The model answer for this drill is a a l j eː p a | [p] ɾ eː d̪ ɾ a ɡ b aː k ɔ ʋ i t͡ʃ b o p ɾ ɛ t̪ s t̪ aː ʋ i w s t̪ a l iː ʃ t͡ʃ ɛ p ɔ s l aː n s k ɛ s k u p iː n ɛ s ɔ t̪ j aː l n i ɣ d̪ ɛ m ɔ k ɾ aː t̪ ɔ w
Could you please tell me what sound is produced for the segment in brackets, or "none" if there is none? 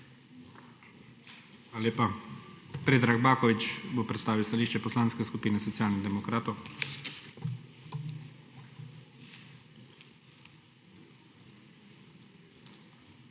p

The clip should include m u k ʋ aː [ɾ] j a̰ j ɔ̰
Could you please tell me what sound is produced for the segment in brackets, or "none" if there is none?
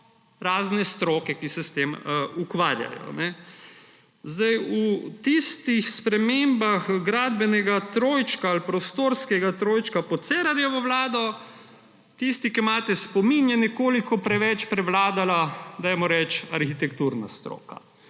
ɾ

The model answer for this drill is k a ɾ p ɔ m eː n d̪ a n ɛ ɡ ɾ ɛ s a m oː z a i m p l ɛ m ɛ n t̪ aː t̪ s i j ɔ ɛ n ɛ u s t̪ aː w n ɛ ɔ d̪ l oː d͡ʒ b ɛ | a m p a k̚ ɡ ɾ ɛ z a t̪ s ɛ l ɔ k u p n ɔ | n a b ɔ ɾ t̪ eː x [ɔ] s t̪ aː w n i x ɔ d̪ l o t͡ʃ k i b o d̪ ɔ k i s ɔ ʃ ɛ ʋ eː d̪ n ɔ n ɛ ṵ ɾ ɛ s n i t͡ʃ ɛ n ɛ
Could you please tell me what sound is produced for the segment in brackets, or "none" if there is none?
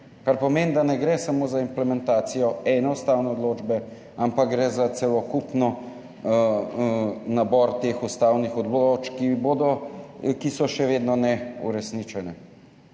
u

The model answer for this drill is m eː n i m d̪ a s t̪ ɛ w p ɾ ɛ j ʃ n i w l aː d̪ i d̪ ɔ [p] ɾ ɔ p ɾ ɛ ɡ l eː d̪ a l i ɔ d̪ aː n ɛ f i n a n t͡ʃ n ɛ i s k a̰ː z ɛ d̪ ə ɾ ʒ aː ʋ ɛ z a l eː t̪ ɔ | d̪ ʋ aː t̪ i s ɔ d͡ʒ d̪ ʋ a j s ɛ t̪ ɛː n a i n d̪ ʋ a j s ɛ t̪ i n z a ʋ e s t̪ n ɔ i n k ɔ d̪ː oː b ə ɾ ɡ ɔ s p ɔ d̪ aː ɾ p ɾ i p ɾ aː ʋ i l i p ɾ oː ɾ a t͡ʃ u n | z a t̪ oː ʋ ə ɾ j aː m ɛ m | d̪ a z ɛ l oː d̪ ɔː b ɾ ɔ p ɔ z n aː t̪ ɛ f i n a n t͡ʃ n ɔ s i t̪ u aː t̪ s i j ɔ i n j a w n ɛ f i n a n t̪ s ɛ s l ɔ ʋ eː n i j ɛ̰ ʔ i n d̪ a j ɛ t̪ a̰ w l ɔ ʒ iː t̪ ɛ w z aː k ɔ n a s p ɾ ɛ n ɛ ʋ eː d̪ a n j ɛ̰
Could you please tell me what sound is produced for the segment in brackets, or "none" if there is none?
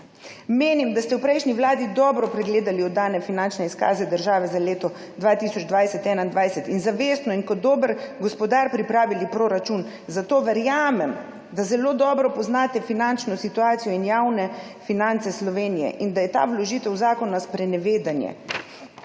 b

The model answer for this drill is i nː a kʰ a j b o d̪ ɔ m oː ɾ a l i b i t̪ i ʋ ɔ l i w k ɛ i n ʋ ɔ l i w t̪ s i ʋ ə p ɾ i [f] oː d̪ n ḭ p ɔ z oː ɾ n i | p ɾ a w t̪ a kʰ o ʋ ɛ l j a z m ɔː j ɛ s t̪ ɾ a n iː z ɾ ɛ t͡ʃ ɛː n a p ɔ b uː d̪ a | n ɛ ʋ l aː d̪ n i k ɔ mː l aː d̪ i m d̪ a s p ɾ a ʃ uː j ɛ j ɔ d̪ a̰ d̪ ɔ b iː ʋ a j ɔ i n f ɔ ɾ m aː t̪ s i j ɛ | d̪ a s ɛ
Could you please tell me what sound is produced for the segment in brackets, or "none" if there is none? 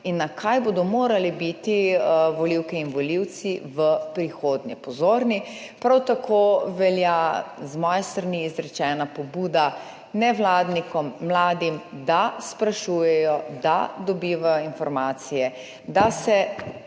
x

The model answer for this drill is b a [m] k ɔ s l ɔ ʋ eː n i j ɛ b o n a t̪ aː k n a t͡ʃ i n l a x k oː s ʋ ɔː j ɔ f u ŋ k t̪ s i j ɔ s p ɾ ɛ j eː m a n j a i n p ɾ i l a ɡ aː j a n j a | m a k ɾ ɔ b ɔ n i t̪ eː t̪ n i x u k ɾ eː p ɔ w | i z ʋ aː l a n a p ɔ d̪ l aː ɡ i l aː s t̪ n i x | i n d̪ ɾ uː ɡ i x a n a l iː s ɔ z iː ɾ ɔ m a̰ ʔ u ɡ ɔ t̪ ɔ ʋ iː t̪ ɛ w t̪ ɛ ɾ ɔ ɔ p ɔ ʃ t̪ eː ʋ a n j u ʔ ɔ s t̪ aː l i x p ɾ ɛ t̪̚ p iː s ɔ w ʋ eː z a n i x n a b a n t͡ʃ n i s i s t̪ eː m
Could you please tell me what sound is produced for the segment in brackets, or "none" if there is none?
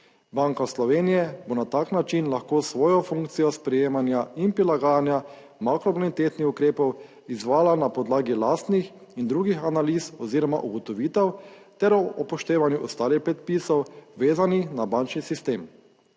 ŋ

